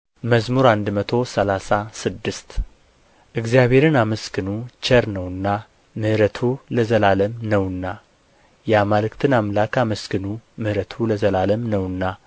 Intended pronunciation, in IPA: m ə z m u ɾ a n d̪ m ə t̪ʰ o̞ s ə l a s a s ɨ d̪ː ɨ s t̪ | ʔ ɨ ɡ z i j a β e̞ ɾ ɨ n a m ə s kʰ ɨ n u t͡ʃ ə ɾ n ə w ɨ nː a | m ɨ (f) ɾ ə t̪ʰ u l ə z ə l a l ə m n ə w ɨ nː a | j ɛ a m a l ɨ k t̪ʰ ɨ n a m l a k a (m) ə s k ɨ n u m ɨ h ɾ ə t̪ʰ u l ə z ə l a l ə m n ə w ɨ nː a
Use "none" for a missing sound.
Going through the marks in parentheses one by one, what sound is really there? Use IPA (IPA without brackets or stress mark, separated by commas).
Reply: h, m